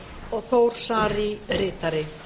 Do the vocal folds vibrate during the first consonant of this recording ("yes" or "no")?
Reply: yes